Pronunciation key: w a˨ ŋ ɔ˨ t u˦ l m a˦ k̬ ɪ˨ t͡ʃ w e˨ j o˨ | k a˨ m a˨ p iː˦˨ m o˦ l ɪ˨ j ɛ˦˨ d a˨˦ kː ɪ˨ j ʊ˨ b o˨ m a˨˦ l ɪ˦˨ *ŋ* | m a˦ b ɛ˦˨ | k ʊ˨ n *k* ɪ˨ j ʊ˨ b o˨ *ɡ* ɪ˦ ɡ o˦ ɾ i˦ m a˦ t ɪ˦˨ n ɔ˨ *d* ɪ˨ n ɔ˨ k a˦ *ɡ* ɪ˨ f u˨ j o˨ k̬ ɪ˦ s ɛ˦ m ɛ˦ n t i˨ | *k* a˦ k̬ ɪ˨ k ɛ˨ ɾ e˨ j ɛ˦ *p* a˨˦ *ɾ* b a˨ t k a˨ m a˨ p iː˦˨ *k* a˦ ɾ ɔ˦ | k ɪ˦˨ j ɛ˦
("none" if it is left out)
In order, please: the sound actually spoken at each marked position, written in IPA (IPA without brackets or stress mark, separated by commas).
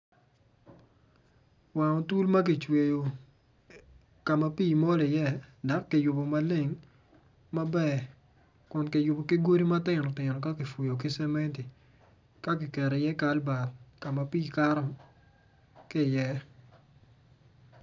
ŋ, k, k, t, k, k, k, l, k